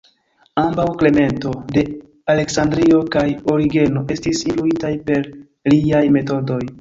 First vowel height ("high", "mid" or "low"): low